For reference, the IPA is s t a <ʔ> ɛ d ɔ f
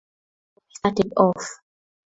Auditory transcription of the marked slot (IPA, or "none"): t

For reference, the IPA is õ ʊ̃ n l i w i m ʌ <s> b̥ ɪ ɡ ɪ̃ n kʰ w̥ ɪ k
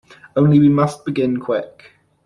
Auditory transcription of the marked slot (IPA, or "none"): s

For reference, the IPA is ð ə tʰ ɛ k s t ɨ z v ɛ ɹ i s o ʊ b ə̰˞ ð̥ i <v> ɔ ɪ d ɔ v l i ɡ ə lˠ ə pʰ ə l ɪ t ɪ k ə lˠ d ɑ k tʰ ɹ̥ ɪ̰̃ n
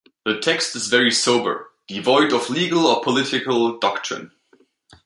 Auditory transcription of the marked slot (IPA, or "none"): v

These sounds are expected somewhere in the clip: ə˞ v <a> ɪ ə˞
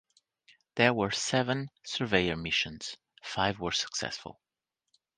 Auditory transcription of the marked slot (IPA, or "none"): e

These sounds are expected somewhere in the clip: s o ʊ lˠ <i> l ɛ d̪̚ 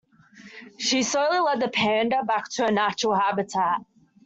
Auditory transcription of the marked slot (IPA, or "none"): i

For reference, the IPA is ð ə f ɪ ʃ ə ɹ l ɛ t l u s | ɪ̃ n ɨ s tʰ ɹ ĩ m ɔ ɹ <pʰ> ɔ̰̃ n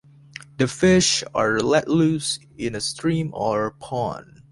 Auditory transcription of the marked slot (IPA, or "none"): pʰ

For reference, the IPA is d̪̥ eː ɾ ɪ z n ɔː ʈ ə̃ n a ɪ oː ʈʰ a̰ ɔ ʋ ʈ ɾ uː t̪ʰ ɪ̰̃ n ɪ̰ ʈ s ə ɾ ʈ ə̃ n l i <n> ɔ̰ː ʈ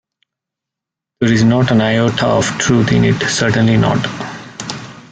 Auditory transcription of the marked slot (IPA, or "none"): n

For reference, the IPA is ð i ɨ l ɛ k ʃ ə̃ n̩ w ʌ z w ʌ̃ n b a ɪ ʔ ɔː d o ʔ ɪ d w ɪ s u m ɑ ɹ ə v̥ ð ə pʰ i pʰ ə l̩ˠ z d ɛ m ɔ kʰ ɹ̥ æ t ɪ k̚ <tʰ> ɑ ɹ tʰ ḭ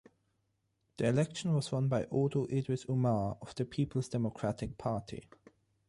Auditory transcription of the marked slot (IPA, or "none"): pʰ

